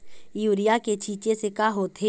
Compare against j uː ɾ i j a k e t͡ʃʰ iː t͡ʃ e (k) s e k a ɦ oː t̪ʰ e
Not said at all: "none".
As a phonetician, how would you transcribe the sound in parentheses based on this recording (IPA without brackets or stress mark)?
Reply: none